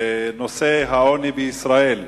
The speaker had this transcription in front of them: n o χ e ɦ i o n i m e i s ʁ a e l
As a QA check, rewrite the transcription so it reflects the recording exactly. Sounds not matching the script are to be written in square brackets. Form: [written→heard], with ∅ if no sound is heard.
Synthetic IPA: n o [χ→s] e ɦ [i→a] o n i [m→b] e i s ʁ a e l